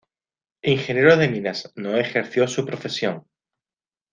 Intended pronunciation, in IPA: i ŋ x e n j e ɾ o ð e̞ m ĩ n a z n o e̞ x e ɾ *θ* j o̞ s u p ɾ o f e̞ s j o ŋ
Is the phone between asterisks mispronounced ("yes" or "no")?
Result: no